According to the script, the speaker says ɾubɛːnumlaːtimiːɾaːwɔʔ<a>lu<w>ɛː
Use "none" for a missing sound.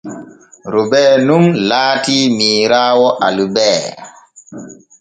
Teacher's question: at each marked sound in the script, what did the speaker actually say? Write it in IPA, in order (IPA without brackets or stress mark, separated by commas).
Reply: a, b